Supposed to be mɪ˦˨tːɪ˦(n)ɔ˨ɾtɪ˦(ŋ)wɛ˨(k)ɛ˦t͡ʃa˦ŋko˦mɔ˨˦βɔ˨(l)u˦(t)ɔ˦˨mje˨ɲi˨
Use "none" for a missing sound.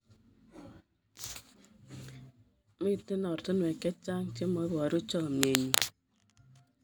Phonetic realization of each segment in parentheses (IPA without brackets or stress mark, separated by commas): n, n, k, ɾ, t͡ʃ